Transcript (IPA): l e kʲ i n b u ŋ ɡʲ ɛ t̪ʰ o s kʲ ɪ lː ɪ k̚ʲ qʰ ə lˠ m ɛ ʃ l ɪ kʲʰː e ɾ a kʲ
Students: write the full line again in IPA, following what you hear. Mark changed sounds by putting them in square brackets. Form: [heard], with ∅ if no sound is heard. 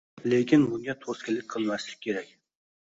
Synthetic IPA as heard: l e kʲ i n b u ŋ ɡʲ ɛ t̪ʰ o s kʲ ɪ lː ɪ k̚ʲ qʰ ə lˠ m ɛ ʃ l ɪ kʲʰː e ɾ [ɛ] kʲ